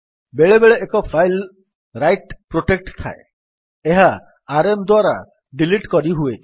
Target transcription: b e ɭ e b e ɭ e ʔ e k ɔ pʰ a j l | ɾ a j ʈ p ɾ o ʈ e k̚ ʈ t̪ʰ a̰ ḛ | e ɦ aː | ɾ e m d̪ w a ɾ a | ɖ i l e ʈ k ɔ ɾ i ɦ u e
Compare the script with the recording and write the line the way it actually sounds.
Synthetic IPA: b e ɭ e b e ɭ e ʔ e k ɔ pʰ a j l | ɾ a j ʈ p ɾ o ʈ e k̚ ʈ t̪ʰ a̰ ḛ | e ɦ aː | ɾ e m d̪ w a ɾ a | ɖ i l i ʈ k ɔ ɾ i ɦ u e